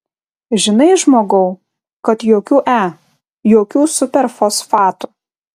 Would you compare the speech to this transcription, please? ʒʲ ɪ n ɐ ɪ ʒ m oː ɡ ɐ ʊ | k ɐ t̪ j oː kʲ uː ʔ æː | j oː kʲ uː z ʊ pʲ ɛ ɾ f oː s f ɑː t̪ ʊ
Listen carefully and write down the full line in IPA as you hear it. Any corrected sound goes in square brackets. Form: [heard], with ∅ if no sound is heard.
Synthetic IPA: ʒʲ ɪ n ɐ ɪ ʒ m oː ɡ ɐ ʊ | k ɐ t̪ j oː kʲ uː ʔ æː | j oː kʲ uː [s] ʊ pʲ ɛ ɾ f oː s f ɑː t̪ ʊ